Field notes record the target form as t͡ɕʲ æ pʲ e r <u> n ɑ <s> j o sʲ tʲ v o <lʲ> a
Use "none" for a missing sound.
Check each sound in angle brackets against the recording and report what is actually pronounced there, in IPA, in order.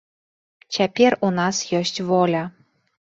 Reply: u, s, lʲ

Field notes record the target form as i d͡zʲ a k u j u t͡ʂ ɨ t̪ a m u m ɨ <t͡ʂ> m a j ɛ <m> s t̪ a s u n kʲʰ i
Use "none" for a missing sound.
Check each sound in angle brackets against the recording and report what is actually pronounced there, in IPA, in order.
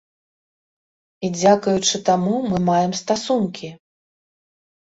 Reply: none, m

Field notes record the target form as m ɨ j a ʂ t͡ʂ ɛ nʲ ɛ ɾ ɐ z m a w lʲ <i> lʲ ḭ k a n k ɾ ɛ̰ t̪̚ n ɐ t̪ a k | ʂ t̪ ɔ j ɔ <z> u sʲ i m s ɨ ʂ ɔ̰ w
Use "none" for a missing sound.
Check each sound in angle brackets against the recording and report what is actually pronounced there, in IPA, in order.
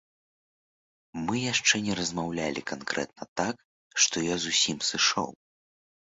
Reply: a, z

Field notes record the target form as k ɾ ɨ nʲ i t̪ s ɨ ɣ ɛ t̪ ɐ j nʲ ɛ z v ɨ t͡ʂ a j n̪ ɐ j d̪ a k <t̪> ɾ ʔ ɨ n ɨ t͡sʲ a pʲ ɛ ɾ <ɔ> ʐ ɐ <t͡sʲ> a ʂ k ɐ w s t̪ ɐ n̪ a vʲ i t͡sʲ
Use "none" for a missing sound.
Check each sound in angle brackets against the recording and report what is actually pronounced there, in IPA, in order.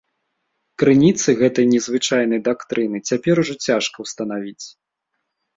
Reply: t̪, u, t͡sʲ

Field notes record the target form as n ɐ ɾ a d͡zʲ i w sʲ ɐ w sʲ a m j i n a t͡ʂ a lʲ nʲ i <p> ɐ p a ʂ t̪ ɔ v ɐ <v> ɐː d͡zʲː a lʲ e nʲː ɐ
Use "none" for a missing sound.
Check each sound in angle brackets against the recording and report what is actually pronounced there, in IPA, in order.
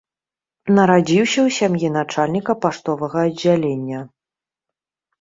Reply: k, ɣ

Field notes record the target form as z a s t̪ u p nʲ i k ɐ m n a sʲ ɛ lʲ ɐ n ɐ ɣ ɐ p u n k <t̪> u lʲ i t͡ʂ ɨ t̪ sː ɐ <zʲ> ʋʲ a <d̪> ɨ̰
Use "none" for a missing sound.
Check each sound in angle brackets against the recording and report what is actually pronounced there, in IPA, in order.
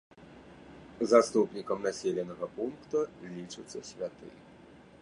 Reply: t̪, sʲ, t̪

